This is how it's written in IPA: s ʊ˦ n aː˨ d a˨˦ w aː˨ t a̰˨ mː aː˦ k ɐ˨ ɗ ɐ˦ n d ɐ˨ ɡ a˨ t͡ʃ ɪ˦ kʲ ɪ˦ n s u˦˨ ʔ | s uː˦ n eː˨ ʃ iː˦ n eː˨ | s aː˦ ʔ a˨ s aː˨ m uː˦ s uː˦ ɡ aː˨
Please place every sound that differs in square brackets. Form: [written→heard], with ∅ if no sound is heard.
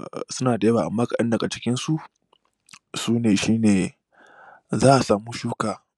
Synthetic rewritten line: s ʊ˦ n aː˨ d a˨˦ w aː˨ [t→ʔ] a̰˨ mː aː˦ k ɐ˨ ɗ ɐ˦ n d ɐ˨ ɡ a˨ t͡ʃ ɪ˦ kʲ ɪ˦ n s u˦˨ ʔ | s uː˦ n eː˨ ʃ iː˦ n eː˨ | [s→z] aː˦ ʔ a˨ s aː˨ m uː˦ [s→ʃ] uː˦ [ɡ→k] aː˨